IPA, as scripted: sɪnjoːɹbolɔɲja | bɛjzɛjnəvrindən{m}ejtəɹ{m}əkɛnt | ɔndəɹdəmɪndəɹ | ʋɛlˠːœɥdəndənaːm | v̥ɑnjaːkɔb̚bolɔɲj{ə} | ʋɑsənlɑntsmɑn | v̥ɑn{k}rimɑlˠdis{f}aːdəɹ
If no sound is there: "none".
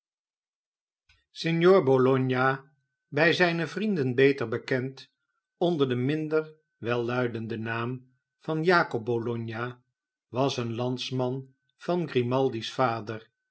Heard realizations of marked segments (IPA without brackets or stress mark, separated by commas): b, b, a, ɡ, f